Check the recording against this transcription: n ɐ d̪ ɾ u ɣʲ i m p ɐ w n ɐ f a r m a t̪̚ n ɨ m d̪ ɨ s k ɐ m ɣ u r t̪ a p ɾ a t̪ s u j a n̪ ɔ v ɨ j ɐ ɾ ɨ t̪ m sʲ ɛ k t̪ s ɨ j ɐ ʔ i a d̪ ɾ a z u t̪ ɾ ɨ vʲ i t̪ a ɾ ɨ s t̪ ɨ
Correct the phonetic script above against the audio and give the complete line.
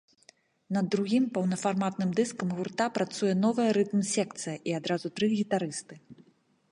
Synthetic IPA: n ɐ d̪ ɾ u ɣʲ i m p ɐ w n ɐ f a r m a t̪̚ n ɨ m d̪ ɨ s k ɐ m ɣ u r t̪ a p ɾ a t̪ s u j ɛ n̪ ɔ v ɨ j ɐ ɾ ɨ t̪ m sʲ ɛ k t̪ s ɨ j ɐ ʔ i a d̪ ɾ a z u t̪ ɾ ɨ ɣʲ i t̪ a ɾ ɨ s t̪ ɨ